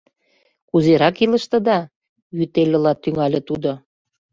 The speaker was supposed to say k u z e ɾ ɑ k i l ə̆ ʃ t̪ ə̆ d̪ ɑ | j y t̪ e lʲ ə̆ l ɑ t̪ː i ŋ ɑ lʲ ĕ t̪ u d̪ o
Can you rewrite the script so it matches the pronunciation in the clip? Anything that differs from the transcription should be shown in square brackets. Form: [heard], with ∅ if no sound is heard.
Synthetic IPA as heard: k u z e ɾ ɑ k i l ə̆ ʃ t̪ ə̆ d̪ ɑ | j y t̪ e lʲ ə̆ l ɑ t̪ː [y] ŋ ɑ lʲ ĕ t̪ u d̪ o